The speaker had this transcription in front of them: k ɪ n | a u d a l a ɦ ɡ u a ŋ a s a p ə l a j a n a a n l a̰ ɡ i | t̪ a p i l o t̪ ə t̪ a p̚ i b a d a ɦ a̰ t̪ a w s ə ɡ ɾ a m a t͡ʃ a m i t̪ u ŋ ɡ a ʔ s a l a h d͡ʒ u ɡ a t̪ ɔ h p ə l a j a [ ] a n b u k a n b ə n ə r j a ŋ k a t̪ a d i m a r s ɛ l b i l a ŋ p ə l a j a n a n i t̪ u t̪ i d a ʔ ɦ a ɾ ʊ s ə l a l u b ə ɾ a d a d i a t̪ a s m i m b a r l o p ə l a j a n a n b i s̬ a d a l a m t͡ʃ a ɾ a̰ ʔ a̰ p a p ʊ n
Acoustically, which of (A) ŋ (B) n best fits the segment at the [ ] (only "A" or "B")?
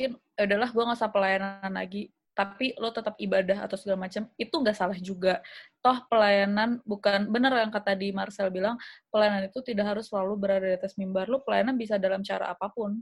B